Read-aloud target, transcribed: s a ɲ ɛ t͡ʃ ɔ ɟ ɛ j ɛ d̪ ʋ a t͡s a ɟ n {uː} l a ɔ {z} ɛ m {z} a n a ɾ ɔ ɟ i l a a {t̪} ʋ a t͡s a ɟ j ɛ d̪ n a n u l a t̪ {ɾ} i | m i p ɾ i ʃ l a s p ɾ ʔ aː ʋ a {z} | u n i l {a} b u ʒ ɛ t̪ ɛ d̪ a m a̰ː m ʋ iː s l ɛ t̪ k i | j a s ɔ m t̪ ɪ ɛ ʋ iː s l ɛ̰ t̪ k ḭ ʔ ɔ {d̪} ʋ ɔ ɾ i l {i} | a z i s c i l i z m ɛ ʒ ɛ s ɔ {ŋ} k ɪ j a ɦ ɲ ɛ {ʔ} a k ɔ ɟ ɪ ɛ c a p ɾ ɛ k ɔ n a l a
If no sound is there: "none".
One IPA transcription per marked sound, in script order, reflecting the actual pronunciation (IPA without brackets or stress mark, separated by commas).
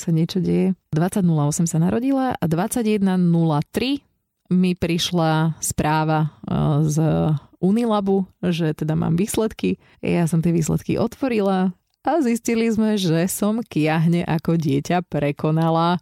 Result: u, s, s, d̪, ɾ, z, a, t̪, a, m, ʔ